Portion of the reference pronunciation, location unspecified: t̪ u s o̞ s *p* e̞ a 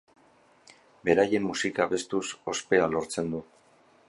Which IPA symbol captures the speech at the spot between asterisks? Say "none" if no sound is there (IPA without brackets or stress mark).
p